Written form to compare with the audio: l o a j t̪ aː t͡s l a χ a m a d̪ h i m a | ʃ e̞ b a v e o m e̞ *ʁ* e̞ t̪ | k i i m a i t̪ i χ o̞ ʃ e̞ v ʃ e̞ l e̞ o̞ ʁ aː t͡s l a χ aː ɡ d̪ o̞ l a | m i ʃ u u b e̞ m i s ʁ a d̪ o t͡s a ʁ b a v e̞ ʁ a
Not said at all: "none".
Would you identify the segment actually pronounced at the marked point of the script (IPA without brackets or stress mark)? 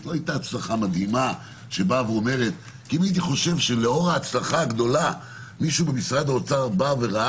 ʁ